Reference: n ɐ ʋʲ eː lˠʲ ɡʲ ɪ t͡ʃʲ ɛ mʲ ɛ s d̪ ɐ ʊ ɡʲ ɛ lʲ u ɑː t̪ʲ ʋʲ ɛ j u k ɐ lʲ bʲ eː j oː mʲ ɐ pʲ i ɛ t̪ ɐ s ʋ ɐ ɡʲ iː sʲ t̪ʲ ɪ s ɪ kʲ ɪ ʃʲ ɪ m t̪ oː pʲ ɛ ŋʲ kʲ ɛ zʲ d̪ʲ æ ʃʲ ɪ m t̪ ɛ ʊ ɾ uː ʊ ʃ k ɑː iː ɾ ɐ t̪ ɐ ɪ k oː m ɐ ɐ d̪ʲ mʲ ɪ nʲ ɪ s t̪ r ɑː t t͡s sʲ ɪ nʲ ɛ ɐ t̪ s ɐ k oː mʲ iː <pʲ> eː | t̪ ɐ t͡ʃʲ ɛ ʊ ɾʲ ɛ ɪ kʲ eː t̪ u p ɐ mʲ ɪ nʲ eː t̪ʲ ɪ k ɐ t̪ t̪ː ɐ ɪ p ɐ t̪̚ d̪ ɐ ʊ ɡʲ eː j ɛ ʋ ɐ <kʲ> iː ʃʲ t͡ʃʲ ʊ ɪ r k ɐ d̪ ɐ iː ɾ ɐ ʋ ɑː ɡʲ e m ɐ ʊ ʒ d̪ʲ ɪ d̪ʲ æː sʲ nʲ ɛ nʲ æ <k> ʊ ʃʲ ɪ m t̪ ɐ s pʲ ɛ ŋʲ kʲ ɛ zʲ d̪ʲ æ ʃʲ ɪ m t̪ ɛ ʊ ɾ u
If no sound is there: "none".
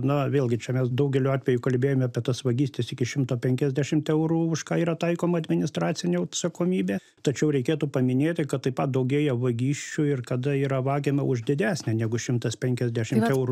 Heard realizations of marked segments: bʲ, ɡʲ, ɡ

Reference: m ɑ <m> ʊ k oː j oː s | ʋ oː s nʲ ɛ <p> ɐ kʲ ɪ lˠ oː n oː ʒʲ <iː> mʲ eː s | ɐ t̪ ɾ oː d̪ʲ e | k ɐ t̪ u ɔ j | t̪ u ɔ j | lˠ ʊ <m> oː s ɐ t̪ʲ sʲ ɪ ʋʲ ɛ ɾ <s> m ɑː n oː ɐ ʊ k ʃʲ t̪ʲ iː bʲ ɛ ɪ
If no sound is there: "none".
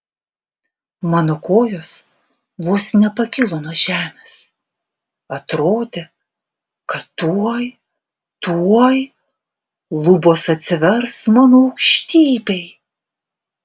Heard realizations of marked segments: n, p, æː, b, s

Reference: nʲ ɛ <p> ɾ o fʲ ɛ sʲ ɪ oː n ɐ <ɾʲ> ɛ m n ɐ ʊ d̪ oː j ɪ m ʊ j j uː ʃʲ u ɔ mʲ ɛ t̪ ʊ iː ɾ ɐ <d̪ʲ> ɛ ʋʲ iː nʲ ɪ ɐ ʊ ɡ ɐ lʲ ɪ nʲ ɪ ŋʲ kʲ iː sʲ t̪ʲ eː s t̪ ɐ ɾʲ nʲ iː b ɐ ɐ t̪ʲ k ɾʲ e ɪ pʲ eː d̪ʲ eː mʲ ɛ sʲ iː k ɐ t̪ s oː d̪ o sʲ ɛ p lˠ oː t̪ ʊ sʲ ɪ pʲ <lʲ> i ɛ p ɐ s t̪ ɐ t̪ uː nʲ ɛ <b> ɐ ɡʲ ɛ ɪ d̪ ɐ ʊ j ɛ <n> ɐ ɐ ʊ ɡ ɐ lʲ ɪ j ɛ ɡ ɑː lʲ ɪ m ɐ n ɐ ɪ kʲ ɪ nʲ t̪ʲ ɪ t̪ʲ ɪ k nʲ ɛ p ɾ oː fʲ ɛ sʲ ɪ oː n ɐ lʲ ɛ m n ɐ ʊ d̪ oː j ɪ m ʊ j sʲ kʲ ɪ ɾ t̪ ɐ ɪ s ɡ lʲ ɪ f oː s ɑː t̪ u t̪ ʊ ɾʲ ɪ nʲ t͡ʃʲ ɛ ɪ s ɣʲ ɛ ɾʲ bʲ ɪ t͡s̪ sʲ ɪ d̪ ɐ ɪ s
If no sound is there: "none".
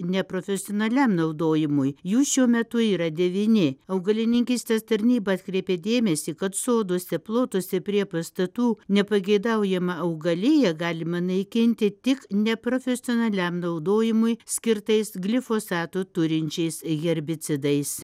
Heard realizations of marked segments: p, lʲ, d̪ʲ, ɾʲ, p, m

